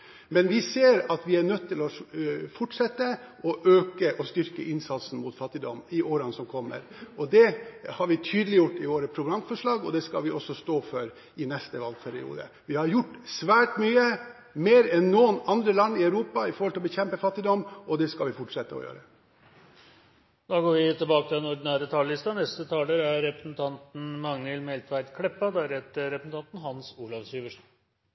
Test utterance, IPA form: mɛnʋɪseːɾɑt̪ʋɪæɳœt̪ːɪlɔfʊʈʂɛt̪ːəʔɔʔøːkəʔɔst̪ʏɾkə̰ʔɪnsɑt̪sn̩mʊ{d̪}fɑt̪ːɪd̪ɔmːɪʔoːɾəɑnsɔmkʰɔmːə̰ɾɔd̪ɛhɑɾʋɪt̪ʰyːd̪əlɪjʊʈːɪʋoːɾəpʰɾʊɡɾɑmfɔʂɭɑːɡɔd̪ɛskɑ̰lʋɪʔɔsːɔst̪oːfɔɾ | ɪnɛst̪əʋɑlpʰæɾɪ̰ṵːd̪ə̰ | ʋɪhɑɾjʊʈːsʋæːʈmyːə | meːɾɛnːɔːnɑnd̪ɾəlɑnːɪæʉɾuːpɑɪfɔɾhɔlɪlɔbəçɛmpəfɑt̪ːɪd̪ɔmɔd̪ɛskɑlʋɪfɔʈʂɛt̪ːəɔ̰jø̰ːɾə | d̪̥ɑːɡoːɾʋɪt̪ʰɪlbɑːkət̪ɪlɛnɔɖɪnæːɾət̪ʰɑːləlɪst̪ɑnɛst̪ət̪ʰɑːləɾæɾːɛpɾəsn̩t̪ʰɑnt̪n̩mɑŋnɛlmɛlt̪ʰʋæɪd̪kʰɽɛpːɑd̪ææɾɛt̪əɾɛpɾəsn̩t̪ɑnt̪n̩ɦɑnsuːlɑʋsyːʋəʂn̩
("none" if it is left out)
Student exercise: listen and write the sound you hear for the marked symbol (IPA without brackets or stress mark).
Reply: t̪